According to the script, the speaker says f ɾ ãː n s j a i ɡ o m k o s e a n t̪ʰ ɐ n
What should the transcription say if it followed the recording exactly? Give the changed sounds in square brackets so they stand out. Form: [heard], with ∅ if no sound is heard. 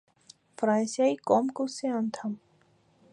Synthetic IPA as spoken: f ɾ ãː n s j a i [k] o m k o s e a n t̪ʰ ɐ [m]